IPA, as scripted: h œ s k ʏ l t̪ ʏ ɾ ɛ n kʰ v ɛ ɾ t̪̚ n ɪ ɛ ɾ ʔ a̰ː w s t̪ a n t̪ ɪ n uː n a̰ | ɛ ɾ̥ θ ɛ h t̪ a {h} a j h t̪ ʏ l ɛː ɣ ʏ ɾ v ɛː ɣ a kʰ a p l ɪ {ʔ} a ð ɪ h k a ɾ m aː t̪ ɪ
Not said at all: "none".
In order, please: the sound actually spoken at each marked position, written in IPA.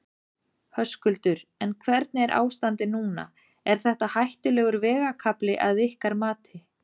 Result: h, ʔ

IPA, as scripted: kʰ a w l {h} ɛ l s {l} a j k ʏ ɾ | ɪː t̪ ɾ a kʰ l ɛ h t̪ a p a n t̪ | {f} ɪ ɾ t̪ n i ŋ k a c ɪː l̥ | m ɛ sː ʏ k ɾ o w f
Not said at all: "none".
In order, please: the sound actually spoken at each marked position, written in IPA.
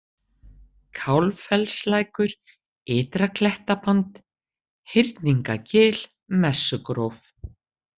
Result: f, l, h

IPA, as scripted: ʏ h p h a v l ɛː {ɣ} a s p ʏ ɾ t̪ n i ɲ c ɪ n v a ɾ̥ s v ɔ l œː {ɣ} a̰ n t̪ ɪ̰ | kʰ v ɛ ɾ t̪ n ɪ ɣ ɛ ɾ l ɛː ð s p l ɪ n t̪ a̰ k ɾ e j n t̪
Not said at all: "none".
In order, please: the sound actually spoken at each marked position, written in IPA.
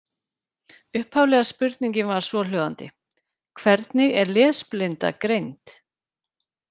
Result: ɣ, ð

